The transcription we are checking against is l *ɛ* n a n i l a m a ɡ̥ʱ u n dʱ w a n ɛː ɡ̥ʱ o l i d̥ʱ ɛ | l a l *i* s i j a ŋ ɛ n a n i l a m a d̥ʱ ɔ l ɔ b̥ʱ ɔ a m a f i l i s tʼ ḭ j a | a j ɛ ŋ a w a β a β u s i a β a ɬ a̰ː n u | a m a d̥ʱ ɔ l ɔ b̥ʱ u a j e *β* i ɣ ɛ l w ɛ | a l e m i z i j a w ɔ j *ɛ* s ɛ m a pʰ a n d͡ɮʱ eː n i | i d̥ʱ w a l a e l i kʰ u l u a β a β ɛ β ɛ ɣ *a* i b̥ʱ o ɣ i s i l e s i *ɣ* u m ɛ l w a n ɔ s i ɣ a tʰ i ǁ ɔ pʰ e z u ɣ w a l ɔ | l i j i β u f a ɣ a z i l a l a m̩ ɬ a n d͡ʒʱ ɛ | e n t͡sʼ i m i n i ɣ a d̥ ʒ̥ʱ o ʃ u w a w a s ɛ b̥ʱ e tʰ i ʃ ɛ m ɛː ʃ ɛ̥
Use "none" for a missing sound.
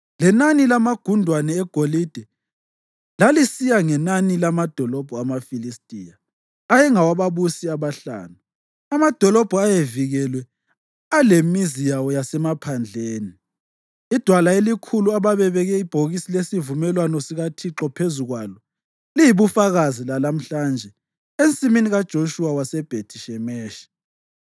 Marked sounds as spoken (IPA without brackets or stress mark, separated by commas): ɛ, i, v, a, ɛ, v